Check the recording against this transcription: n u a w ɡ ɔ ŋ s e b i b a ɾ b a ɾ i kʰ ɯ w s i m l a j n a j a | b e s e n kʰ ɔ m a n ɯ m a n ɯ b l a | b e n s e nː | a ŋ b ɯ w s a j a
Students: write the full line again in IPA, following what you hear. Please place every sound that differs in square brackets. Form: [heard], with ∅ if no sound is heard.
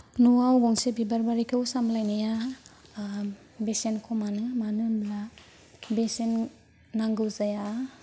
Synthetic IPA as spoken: n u a w ɡ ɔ ŋ s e b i b a ɾ b a ɾ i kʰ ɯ w s [a] m l a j n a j a | b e s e n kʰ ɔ m a n ɯ m a n ɯ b l a | b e [∅] s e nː | a ŋ [ɡ] ɯ w [z] a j a